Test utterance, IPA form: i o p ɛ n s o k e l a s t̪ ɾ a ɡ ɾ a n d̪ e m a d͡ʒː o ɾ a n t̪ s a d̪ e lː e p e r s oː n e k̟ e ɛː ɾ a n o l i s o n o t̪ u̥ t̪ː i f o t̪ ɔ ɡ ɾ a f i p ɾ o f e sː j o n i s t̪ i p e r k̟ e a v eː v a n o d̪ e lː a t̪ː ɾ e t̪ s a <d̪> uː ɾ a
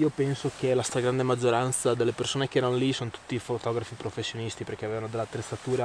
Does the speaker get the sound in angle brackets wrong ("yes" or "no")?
yes